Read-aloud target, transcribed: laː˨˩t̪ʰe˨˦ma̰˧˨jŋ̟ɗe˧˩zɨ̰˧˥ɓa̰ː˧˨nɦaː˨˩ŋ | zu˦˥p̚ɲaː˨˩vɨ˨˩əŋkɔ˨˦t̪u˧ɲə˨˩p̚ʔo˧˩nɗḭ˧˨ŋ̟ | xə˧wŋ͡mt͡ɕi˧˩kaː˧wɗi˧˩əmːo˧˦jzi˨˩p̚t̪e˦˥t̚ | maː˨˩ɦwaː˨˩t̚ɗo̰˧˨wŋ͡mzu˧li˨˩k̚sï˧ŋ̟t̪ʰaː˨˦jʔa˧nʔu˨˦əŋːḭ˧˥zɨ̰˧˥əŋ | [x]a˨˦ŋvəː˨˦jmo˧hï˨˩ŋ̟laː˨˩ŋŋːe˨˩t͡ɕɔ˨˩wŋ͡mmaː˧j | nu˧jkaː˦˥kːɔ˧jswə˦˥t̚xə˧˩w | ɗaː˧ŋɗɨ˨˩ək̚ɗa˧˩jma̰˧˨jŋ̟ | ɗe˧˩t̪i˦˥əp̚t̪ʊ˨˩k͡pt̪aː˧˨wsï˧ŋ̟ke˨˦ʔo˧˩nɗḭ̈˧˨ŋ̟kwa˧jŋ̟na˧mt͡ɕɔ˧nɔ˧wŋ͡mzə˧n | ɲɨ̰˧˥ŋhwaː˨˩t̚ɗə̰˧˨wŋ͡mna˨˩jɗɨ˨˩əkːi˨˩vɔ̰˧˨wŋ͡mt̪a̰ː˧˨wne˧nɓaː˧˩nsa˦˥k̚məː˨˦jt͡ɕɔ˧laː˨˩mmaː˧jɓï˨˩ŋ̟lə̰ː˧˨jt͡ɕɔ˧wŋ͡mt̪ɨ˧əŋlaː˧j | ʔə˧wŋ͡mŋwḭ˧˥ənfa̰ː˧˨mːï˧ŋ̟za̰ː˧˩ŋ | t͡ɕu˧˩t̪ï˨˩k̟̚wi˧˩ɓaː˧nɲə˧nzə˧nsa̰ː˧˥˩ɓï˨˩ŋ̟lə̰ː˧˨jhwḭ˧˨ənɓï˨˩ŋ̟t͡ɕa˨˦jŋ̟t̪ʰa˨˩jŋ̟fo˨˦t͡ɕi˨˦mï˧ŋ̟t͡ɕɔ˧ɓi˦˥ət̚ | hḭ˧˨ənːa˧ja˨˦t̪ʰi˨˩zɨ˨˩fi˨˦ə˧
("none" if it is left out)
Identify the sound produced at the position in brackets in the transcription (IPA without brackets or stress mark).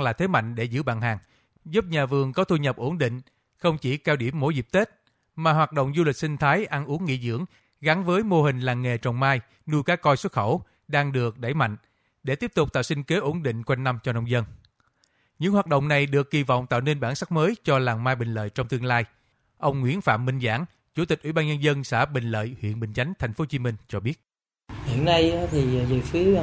ɣ